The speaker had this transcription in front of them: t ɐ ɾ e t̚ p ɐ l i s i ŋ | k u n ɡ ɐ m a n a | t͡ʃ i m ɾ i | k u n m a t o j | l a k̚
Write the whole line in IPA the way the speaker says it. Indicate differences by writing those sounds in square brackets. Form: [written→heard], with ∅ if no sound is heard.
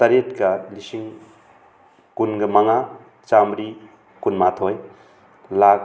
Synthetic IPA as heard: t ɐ ɾ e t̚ [p→k] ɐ l i s i ŋ | k u n ɡ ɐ m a [n→ŋ] a | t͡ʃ [i→a] m ɾ i | k u n m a [t→tʰ] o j | l a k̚